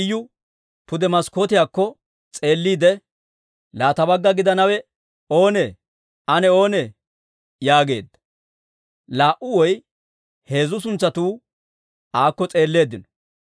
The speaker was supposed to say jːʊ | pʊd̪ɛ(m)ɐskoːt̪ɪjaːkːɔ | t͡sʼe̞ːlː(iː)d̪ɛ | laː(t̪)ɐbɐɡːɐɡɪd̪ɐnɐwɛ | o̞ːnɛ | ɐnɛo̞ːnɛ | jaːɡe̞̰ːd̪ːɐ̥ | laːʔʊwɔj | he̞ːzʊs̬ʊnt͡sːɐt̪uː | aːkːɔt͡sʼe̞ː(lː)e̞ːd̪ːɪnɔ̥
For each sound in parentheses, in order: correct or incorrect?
correct, correct, correct, correct

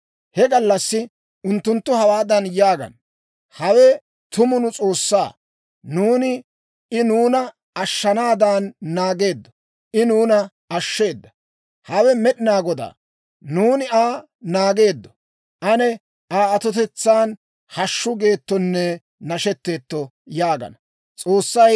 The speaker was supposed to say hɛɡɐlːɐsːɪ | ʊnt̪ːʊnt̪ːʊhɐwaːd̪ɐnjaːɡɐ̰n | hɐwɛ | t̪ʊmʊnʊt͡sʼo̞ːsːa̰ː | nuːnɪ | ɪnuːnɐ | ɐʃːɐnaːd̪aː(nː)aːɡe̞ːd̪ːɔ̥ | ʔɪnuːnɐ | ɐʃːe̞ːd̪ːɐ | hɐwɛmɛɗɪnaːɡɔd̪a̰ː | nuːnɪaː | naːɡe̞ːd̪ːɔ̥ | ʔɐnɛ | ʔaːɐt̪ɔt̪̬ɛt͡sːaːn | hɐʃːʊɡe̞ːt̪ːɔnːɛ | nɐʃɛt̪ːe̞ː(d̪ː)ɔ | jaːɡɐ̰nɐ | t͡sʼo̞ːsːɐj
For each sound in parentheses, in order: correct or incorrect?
correct, incorrect: t̪ː

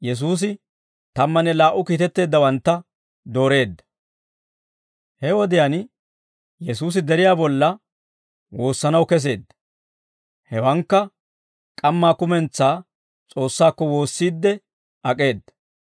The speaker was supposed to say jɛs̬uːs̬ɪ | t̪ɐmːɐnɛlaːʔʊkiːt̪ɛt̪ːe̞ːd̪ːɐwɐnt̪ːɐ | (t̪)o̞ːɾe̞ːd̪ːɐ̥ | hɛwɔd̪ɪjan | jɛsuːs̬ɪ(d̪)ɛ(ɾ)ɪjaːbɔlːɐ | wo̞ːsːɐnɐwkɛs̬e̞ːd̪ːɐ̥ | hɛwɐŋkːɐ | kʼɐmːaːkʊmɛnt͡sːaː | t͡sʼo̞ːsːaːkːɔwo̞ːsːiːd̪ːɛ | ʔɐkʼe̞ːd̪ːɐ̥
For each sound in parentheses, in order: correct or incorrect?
incorrect: d̪, correct, correct

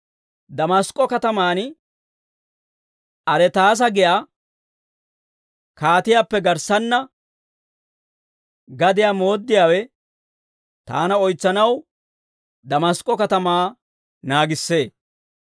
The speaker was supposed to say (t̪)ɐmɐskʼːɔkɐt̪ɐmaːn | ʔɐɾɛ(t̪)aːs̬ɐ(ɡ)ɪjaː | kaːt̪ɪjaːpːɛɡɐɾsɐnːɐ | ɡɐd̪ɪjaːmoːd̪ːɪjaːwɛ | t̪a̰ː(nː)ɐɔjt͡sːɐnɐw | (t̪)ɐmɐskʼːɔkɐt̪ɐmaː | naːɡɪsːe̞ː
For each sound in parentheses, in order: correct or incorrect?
incorrect: d̪, correct, correct, incorrect: n, incorrect: d̪

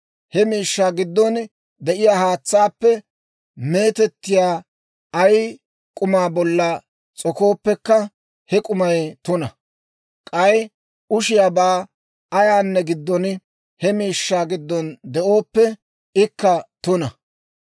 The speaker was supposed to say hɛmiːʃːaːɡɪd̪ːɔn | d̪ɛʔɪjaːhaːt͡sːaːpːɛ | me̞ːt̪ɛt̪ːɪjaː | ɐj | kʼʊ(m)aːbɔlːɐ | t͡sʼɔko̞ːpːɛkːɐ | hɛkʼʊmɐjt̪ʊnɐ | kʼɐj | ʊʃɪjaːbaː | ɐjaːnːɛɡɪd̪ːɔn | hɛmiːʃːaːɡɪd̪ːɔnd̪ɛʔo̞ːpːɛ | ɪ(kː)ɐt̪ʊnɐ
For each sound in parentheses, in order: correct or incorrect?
correct, correct

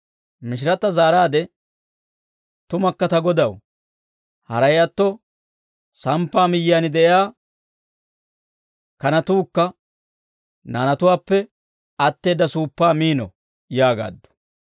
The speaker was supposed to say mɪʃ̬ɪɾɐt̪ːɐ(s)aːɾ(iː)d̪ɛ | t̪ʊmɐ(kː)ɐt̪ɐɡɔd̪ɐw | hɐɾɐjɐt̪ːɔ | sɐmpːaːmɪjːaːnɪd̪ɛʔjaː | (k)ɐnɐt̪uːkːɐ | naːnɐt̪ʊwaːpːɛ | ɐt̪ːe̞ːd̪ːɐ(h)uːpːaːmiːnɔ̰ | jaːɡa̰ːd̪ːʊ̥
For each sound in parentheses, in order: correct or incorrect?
incorrect: z, incorrect: aː, correct, correct, incorrect: s

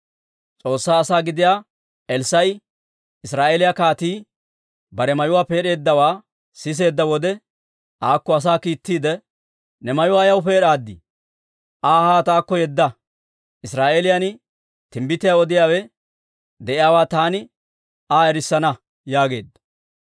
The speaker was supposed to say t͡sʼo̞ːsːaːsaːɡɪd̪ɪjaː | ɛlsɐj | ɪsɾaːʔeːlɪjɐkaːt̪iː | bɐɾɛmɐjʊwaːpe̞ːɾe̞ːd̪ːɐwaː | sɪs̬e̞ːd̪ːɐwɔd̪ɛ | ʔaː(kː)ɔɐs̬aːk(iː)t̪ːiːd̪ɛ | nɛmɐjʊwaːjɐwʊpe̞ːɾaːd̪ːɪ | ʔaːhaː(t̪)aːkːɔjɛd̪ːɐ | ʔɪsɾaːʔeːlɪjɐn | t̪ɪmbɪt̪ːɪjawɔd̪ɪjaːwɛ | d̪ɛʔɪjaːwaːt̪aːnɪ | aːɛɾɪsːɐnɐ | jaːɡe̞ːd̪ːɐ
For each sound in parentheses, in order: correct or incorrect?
correct, correct, correct

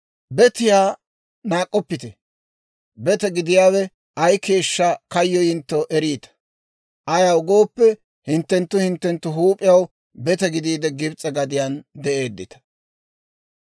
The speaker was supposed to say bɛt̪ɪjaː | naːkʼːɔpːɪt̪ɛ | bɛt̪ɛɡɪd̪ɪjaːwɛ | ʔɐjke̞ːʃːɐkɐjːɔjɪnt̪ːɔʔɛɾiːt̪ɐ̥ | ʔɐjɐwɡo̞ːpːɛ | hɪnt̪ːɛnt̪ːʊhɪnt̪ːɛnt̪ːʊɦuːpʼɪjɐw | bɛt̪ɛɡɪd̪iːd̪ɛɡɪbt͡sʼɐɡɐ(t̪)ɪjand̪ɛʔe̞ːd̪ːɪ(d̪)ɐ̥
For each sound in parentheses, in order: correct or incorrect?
incorrect: d̪, incorrect: t̪

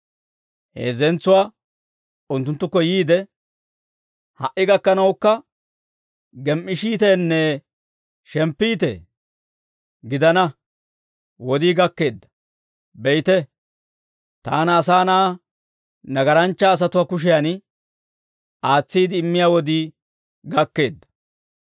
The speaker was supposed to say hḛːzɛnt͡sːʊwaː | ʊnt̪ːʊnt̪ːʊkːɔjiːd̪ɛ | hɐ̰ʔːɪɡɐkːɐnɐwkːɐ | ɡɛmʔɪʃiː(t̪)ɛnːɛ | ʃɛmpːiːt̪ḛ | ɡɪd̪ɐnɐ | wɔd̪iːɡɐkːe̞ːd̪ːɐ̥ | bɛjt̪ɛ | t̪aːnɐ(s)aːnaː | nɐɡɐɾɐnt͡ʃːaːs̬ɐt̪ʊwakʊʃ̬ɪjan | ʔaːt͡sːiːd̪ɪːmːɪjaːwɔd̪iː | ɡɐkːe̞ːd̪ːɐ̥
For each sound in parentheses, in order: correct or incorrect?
correct, correct

